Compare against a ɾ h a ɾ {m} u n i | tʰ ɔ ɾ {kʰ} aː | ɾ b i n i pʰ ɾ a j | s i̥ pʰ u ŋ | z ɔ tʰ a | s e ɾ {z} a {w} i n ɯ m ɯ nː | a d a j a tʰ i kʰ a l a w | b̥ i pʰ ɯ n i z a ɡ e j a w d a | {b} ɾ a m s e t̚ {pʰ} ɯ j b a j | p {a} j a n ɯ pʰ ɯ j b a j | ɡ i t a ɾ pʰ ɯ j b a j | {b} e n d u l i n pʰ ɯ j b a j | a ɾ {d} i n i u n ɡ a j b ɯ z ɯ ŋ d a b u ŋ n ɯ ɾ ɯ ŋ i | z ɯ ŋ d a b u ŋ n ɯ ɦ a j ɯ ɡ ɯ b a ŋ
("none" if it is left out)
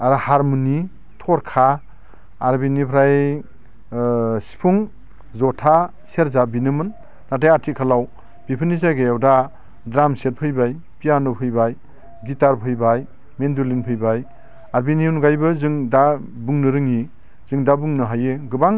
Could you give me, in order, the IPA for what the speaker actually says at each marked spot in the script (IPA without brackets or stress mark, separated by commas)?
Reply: m, kʰ, z, b, d, pʰ, i, m, b